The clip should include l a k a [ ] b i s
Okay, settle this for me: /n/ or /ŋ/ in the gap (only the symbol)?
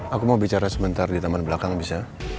ŋ